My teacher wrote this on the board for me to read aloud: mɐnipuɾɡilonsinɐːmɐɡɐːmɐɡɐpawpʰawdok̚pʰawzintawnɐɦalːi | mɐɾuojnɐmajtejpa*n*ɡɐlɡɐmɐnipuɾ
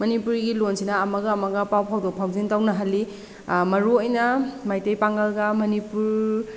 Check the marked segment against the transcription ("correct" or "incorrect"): incorrect